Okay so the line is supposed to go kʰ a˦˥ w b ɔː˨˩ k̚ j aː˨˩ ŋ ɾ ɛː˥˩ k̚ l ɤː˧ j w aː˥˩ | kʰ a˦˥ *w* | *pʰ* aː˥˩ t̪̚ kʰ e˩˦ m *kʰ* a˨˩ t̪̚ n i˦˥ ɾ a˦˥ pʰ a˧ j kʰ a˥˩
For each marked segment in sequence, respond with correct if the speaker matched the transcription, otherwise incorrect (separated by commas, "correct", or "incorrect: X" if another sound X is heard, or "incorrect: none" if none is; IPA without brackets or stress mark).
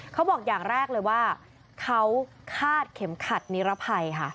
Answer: correct, incorrect: kʰ, correct